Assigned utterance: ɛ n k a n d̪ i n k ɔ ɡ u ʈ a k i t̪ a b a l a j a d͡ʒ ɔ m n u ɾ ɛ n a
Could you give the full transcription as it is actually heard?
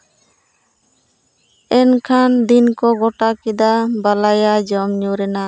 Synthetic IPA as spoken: ɛ n kʰ a n d̪ i n k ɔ ɡ ɔ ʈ a k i d̪ a b a l a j a d͡ʒ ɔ m ɲ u ɾ ɛ n a